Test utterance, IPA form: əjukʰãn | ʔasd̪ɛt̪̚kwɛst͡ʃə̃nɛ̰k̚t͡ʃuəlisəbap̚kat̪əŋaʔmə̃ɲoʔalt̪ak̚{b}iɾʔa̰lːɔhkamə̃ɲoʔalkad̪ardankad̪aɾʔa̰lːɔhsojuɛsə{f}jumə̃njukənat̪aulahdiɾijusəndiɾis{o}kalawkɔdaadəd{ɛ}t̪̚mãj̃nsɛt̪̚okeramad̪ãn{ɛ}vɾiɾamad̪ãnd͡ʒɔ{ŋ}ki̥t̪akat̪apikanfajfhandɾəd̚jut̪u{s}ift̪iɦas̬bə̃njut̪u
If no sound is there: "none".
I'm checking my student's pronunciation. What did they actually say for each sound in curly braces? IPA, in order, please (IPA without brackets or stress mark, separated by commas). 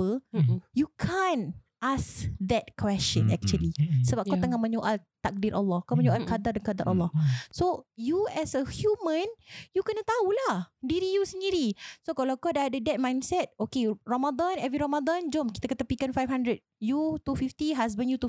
d, h, o, ɛ, ɛ, m, f